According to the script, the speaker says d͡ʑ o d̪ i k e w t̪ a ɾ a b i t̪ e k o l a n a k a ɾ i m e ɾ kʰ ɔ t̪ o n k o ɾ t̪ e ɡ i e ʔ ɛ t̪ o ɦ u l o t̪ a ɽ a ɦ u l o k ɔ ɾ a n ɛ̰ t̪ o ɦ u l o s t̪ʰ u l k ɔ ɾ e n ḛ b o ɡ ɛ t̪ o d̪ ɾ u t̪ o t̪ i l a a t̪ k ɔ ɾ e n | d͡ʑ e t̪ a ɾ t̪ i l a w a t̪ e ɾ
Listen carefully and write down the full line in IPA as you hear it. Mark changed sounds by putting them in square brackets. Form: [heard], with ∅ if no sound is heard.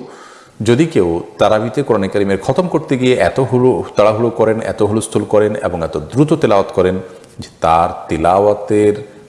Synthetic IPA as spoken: d͡ʑ o d̪ i k e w t̪ a ɾ a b i t̪ e k o [ɾ] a n a k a ɾ i m e ɾ kʰ ɔ t̪ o [m] k o ɾ t̪ e ɡ i e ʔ ɛ t̪ o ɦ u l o t̪ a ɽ a ɦ u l o k ɔ ɾ [e] n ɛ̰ t̪ o ɦ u l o s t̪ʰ u l k ɔ ɾ e n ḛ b o [ŋ] ɛ t̪ o d̪ ɾ u t̪ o t̪ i l a a t̪ k ɔ ɾ e n | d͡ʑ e t̪ a ɾ t̪ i l a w a t̪ e ɾ